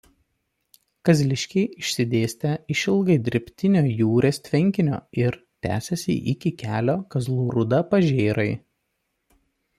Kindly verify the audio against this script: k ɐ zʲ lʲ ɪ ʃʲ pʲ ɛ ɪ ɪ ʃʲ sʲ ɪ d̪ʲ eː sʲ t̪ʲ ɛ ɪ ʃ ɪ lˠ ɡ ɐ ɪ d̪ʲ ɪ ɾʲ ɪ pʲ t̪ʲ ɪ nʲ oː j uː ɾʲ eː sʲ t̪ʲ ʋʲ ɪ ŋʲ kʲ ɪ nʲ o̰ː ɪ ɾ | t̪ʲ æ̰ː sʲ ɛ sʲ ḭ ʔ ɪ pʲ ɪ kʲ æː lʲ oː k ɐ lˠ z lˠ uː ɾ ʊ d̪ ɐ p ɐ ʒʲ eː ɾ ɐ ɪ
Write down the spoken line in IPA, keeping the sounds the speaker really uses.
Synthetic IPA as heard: k ɐ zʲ lʲ ɪ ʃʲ kʲ ɛ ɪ ɪ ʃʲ sʲ ɪ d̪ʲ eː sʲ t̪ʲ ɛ ɪ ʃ ɪ lˠ ɡ ɐ ɪ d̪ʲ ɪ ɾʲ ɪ pʲ t̪ʲ ɪ nʲ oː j uː ɾʲ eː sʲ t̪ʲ ʋʲ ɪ ŋʲ kʲ ɪ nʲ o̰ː ɪ ɾ | t̪ʲ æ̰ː sʲ ɛ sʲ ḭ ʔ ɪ kʲ ɪ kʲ æː lʲ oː k ɐ z lˠ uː ɾ ʊ d̪ ɐ p ɐ ʒʲ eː ɾ ɐ ɪ